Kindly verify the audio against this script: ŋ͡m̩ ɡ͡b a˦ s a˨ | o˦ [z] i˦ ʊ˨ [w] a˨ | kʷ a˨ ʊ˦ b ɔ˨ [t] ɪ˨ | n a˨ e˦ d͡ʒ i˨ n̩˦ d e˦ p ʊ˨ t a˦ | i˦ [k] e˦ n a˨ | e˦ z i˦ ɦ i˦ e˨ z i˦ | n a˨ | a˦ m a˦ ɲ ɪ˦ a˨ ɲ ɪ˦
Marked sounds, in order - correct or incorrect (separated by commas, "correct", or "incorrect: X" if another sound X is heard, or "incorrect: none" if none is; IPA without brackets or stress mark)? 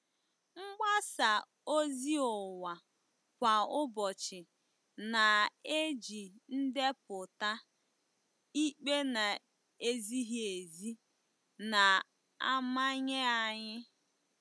correct, correct, incorrect: t͡ʃ, incorrect: k͡p